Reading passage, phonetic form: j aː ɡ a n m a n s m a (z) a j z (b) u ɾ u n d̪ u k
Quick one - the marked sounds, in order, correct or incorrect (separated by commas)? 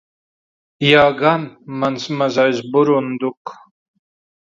correct, correct